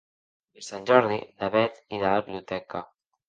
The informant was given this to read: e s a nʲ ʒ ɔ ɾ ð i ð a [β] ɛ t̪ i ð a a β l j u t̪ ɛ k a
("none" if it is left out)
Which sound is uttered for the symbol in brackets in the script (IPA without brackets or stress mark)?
β